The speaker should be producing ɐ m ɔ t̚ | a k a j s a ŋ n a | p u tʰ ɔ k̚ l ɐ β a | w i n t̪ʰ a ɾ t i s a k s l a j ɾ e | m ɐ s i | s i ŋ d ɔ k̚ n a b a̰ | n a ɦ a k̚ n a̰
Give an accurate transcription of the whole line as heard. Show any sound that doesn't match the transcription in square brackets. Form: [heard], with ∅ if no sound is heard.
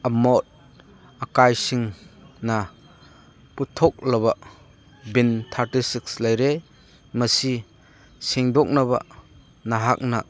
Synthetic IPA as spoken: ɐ m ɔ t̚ | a k a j s [i] ŋ n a | p u tʰ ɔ k̚ l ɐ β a | [b] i n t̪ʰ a ɾ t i s [i] k s l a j ɾ e | m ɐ s i | s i ŋ d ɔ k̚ n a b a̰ | n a ɦ a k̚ n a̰